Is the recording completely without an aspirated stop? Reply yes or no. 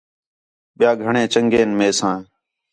yes